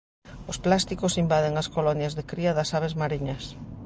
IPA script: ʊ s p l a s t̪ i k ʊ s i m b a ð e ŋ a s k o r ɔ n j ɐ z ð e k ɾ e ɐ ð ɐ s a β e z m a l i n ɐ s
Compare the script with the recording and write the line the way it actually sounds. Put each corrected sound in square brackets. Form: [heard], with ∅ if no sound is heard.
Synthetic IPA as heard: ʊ s p l a s t̪ i k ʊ s i m b a ð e ŋ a s k o [l] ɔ n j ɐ z ð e k ɾ [i] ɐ ð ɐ s a β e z m a [ɾ] i [ɲ] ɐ s